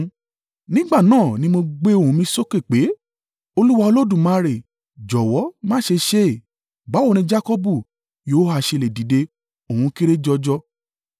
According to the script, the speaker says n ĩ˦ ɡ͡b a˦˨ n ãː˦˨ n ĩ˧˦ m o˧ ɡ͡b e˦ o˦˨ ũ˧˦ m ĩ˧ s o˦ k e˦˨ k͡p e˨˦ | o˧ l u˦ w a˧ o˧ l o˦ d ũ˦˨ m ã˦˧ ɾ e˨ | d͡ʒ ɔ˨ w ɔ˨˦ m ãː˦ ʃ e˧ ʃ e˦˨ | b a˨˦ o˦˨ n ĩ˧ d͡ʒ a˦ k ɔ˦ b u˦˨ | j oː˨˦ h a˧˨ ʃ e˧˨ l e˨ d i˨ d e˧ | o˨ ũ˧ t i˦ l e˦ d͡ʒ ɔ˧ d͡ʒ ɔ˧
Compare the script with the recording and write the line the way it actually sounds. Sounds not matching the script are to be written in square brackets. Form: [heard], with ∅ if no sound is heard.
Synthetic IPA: n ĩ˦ ɡ͡b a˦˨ n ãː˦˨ n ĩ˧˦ m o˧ ɡ͡b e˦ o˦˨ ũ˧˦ m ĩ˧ s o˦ k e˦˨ k͡p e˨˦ | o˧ l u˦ w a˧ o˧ l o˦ d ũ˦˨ m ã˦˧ ɾ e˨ | d͡ʒ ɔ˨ w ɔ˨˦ m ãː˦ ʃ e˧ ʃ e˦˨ | b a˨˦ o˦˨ n ĩ˧ d͡ʒ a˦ k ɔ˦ b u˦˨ | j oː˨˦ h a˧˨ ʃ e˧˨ l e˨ d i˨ d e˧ | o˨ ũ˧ [k] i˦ [ɾ] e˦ d͡ʒ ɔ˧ d͡ʒ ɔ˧

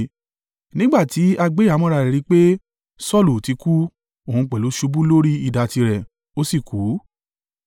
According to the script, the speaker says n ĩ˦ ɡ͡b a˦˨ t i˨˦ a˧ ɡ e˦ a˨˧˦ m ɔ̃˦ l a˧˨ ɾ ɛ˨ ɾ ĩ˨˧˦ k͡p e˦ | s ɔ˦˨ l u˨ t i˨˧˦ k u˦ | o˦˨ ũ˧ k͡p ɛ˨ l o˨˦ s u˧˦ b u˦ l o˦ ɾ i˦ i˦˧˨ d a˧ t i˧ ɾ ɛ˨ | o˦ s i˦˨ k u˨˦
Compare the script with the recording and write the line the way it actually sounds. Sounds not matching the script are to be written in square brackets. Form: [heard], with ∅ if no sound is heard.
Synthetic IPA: n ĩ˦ ɡ͡b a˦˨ t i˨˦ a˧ [ɡ͡b] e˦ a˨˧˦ m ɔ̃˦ [ɾ] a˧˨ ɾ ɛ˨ ɾ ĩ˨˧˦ k͡p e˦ | s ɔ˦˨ l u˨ t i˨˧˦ k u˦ | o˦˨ ũ˧ k͡p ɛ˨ l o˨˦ [ʃ] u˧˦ b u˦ l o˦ ɾ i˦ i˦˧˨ d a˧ t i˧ ɾ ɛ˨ | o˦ s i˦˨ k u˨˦

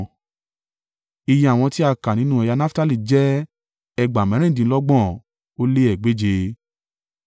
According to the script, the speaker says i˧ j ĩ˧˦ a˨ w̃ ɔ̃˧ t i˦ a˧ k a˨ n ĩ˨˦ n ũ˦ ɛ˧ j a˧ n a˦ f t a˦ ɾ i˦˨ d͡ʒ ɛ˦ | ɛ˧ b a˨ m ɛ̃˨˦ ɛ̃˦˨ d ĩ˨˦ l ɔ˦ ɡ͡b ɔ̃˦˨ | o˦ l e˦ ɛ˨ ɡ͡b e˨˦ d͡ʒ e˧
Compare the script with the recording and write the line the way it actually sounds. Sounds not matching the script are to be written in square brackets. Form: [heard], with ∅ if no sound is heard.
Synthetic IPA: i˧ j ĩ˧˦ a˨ w̃ ɔ̃˧ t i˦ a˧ k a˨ n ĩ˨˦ n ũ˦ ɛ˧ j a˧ n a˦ f t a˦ [l] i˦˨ d͡ʒ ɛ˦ | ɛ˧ [ɡ͡b] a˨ m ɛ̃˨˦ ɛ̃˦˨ d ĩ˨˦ l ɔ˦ ɡ͡b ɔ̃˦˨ | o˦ l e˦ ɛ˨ ɡ͡b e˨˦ d͡ʒ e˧

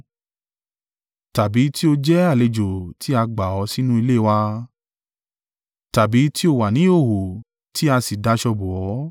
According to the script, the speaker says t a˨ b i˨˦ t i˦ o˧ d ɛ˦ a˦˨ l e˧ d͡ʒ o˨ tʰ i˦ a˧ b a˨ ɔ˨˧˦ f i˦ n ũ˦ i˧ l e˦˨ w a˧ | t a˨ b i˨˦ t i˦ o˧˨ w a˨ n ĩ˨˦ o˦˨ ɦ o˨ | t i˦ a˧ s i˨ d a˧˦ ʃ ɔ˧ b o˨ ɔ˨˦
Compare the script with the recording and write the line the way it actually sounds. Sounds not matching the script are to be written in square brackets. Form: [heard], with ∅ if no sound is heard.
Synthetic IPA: t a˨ b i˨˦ t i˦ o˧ [d͡ʒ] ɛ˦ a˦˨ l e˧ d͡ʒ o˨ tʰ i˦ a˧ [ɡ͡b] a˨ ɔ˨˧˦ [s] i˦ n ũ˦ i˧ l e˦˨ w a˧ | t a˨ b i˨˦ t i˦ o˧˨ w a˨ n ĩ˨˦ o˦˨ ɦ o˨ | t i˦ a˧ s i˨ d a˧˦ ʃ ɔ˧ b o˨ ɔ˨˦

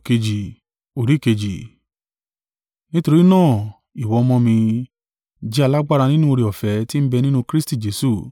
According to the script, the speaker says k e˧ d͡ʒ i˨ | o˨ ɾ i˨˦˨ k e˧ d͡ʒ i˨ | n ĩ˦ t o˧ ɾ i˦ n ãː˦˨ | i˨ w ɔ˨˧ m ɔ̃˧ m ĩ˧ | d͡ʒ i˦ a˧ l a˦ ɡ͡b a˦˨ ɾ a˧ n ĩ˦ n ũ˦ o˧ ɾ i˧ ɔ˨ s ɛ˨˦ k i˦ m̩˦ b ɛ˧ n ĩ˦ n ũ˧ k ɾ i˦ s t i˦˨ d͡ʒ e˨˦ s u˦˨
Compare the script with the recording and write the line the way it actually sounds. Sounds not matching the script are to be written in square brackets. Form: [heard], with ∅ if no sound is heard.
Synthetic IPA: k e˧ d͡ʒ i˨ | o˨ ɾ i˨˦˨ k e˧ d͡ʒ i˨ | n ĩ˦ t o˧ ɾ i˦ n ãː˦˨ | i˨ w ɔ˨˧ m ɔ̃˧ m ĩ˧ | d͡ʒ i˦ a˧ l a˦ ɡ͡b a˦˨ ɾ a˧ n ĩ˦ n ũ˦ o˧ ɾ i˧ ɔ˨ [f] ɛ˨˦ [t] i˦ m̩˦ b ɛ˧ n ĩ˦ n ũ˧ k ɾ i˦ s t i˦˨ d͡ʒ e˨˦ s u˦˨

